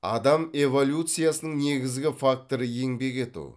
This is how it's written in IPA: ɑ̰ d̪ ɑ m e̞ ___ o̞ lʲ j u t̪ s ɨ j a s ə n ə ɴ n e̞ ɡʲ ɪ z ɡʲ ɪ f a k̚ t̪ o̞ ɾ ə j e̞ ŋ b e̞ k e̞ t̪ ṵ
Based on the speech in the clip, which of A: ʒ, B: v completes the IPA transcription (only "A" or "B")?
B